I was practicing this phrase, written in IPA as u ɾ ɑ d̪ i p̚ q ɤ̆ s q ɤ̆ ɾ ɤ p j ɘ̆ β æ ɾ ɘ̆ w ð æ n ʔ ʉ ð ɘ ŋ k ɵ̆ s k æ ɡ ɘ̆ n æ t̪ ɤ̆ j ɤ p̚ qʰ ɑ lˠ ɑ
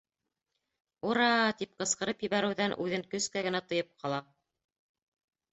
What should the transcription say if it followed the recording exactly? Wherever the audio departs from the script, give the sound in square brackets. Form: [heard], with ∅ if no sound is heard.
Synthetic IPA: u ɾ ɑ [t̪] i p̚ q ɤ̆ s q ɤ̆ ɾ ɤ p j ɘ̆ β æ ɾ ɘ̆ w ð æ n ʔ ʉ ð ɘ ŋ k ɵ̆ s k æ ɡ ɘ̆ n æ t̪ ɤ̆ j ɤ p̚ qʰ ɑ lˠ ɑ